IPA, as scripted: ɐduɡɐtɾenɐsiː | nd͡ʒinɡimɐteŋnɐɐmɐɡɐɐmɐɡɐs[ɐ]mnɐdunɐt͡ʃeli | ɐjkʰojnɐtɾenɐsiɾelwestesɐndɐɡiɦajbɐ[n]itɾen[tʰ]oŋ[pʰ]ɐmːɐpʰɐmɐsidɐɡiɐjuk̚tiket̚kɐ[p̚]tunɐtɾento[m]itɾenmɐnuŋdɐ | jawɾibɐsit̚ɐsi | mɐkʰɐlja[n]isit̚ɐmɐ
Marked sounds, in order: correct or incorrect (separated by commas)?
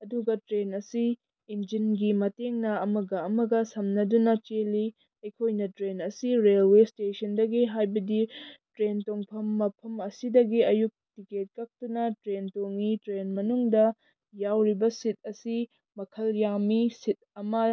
correct, incorrect, incorrect, correct, incorrect, incorrect, incorrect